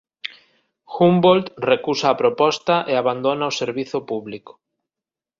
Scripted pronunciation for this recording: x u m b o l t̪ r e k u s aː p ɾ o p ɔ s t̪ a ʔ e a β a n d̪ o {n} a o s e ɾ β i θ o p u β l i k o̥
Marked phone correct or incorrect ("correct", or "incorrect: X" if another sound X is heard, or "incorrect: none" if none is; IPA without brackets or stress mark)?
correct